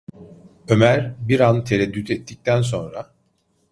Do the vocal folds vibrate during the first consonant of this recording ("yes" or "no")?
yes